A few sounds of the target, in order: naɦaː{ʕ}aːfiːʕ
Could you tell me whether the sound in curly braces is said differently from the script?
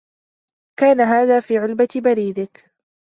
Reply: yes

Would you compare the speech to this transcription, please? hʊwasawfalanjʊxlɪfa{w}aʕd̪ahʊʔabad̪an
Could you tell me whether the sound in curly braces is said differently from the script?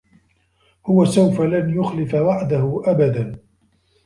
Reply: no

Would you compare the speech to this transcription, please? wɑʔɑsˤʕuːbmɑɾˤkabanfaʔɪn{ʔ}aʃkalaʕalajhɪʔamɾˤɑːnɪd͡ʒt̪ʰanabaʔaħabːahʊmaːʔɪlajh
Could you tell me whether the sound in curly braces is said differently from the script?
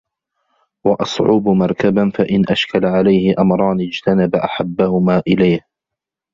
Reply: no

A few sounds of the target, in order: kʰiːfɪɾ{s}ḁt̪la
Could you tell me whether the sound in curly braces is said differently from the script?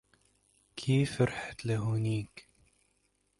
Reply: yes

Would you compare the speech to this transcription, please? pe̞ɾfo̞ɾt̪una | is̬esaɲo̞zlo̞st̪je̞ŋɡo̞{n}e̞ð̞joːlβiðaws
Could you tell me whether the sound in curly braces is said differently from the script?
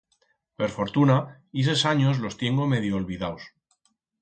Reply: yes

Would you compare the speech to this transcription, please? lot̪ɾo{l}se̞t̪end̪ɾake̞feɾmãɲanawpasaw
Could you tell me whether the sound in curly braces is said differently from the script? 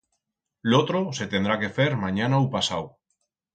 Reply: yes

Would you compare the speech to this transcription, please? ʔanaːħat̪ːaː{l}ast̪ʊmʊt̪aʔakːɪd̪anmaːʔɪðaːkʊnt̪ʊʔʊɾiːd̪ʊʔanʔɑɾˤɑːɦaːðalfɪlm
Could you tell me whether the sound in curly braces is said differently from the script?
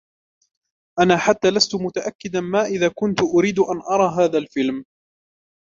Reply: no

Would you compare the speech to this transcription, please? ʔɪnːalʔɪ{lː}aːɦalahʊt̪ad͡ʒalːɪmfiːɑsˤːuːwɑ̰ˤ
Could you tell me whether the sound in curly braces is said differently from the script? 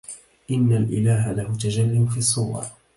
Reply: yes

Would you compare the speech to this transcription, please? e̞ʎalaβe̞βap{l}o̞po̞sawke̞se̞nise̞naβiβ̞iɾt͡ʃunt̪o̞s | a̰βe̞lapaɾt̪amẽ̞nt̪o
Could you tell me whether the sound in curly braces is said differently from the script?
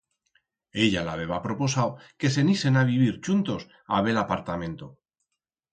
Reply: yes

